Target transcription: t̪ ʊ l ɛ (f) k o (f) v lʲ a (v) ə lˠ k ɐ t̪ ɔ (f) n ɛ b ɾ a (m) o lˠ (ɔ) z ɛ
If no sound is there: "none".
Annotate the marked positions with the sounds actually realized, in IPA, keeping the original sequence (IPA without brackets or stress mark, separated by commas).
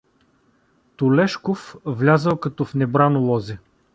ʃ, f, z, f, n, ɔ